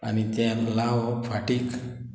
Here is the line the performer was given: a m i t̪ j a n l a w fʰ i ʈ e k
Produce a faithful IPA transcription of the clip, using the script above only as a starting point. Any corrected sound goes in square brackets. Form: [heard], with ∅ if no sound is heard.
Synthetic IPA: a [n] i t̪ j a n l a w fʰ [a] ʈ [i] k